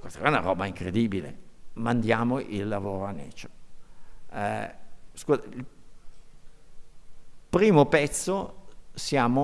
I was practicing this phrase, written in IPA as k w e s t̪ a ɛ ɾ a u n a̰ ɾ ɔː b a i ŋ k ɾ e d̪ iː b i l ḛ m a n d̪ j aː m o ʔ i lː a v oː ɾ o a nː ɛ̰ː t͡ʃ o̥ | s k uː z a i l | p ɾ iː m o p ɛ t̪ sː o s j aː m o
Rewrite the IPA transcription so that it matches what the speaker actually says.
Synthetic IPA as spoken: k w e s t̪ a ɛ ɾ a u n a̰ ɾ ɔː b a i ŋ k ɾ e d̪ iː b i l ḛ m a n d̪ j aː m o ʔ i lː a v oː ɾ o a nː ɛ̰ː t͡ʃ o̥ | s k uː z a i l | p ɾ iː m o p ɛ t̪ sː o s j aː m o